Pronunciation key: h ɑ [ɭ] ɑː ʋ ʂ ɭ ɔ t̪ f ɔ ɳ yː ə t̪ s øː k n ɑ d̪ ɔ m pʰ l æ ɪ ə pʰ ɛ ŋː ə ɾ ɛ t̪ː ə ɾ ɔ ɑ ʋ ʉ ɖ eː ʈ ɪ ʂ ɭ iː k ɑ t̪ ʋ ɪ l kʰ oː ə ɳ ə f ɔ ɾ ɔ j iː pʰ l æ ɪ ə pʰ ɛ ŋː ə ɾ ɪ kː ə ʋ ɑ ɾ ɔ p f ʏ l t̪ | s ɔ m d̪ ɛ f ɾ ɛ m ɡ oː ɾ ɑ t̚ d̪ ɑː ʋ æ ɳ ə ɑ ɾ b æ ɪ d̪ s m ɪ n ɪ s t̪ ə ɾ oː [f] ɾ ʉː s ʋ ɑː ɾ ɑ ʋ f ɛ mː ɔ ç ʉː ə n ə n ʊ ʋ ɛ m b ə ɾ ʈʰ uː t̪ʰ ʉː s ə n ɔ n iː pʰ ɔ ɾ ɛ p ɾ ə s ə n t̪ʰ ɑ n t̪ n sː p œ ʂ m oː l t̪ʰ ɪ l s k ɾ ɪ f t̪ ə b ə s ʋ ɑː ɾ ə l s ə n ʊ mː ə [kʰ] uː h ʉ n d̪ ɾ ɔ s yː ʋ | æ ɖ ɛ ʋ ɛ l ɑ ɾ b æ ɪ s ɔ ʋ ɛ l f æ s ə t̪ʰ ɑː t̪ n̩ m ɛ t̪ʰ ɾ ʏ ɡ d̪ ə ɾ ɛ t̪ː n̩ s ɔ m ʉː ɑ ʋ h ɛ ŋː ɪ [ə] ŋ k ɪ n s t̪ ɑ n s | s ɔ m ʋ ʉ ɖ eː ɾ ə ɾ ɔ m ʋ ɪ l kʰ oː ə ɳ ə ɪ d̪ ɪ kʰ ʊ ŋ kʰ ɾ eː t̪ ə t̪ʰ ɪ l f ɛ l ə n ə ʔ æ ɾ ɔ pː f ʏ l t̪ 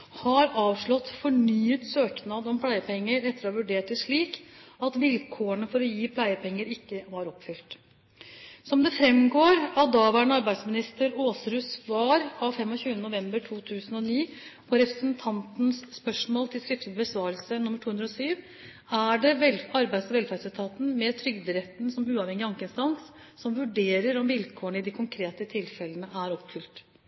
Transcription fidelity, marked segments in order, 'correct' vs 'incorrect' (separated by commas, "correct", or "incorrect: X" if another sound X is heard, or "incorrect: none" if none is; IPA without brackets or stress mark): incorrect: ɾ, incorrect: s, incorrect: ʈʰ, incorrect: ɑ